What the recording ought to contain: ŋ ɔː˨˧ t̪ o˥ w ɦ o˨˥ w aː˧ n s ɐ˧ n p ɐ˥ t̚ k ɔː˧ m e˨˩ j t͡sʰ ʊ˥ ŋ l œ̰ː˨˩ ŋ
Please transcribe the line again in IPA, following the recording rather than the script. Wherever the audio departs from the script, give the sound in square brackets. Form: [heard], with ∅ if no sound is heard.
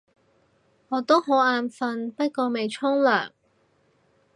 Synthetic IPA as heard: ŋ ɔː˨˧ t̪ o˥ w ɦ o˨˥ w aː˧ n [f] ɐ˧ n p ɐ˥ t̚ k ɔː˧ m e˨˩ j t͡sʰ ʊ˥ ŋ l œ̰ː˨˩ ŋ